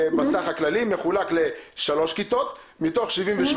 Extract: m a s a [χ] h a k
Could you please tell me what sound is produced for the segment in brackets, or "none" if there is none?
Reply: χ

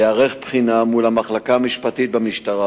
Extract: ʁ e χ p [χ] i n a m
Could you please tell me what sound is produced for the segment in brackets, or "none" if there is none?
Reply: χ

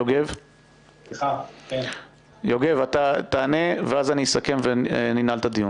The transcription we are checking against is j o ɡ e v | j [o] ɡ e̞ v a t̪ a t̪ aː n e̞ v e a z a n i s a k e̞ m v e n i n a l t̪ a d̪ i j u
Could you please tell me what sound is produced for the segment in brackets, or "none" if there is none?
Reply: o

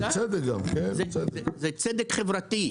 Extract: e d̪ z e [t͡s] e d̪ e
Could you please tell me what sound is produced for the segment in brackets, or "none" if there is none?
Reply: t͡s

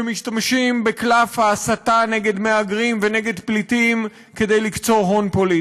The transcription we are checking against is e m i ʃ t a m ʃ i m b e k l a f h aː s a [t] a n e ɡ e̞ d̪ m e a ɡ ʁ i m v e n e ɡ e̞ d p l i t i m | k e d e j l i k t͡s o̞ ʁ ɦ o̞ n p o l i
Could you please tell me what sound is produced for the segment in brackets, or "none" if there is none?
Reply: t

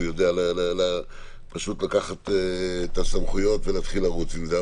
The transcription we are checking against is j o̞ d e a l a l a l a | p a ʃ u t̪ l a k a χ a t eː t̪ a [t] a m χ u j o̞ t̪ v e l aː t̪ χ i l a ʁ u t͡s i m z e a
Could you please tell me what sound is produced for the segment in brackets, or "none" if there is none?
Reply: s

